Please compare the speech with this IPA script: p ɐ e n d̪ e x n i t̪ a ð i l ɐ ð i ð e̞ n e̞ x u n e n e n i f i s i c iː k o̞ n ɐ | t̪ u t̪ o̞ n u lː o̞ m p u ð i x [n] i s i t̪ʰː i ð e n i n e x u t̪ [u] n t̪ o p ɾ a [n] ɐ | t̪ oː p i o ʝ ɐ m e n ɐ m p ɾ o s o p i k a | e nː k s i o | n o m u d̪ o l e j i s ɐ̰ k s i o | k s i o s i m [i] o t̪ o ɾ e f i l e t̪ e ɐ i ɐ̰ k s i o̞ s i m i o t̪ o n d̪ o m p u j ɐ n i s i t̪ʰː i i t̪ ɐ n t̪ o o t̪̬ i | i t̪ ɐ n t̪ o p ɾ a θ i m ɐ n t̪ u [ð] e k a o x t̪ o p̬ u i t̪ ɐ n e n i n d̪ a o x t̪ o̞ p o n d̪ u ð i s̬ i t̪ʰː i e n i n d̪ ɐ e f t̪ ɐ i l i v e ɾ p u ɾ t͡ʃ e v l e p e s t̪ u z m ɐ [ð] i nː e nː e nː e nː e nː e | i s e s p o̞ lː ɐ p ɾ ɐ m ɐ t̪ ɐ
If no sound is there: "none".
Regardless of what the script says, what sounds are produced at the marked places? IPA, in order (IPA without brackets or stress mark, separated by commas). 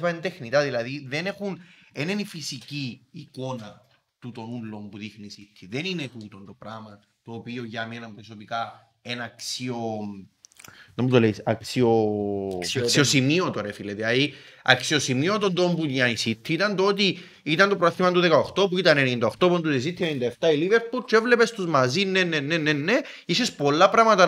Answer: n, o, m, i, ð, z